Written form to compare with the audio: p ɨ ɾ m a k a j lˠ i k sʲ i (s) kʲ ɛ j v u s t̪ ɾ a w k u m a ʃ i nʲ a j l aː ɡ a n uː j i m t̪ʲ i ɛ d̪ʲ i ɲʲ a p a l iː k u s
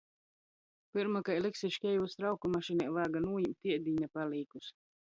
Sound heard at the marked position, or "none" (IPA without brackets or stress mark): ʃ